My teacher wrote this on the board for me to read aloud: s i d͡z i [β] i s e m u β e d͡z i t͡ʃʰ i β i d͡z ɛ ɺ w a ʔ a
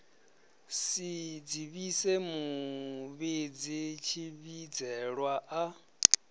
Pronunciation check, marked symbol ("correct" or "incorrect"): correct